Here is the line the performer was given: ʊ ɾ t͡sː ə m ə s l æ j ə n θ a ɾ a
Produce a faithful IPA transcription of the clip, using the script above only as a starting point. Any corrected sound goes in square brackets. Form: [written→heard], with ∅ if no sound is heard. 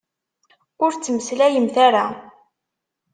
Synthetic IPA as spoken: ʊ ɾ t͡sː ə m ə s l æ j ə [n→m] θ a ɾ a